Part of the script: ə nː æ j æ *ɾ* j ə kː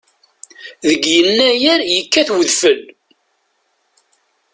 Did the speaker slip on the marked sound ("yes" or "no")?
no